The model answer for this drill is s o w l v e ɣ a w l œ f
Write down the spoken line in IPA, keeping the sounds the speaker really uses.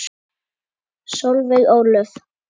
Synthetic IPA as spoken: s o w l v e ɣ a w l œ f